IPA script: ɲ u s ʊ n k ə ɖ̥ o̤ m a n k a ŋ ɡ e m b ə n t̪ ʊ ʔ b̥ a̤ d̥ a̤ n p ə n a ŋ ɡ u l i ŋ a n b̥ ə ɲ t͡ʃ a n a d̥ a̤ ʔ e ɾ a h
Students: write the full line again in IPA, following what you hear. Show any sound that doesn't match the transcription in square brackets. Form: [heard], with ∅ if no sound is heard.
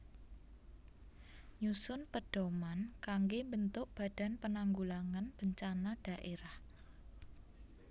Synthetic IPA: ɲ u s ʊ n [p] ə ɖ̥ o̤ m a n k a ŋ ɡ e m b ə n t̪ ʊ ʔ b̥ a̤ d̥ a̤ n p ə n a ŋ ɡ u l [a] ŋ a n b̥ ə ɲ t͡ʃ a n a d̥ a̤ ʔ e ɾ a h